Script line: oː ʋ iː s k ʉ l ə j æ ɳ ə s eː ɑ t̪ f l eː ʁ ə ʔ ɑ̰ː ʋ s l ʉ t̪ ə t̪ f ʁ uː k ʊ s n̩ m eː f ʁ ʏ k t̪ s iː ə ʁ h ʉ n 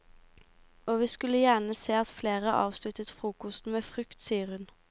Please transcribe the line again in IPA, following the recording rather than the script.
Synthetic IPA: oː ʋ iː s k ʉ l ə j æ ɳ ə s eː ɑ t̪ f l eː ʁ ə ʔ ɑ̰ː ʋ s l ʉ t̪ ə t̪ f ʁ uː k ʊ s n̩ m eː f ʁ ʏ k t̪ s iː ə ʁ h ʉ n